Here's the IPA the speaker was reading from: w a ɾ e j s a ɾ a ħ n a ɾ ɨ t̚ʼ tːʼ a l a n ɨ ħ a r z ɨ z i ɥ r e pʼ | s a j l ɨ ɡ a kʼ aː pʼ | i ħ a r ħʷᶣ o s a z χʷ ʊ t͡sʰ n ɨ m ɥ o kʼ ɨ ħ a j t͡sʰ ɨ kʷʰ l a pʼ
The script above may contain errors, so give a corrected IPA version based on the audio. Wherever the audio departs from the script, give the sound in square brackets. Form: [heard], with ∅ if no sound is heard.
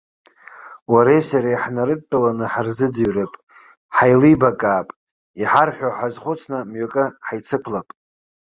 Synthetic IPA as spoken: w a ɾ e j s a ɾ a ħ n a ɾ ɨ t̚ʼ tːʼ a l a n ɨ ħ a r z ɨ [d͡z] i ɥ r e pʼ | [ħ] a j l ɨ [b] a kʼ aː pʼ | i ħ a r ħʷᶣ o [ħ] a z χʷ ʊ t͡sʰ n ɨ m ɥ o kʼ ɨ ħ a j t͡sʰ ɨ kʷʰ l a pʼ